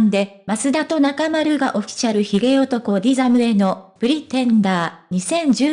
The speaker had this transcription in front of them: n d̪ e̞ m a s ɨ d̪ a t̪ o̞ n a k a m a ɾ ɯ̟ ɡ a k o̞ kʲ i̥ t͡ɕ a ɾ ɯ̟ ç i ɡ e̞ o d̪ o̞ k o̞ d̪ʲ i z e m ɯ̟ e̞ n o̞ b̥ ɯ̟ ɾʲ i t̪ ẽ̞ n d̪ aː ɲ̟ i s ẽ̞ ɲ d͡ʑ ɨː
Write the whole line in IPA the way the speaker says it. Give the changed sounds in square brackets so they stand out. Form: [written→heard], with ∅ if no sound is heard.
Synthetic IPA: n d̪ e̞ m a s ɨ d̪ a t̪ o̞ n a k a m a ɾ ɯ̟ ɡ a [k→ʔ] o̞ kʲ i̥ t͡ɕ a ɾ ɯ̟ ç i ɡ e̞ o [d̪→t̪] o̞ k o̞ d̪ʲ i z [e→a] m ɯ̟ e̞ n o̞ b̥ ɯ̟ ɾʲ i t̪ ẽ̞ n d̪ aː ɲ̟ i s ẽ̞ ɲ d͡ʑ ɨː

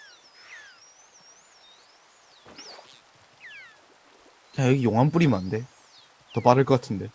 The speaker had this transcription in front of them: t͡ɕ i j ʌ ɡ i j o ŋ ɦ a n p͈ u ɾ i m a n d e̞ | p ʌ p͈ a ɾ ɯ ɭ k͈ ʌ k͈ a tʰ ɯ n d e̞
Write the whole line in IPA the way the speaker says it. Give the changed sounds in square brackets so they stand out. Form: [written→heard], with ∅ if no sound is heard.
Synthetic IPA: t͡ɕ [i→a] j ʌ ɡ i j o ŋ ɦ a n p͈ u ɾ i m a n d e̞ | [p→t] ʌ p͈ a ɾ ɯ ɭ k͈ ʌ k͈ a tʰ ɯ n d e̞

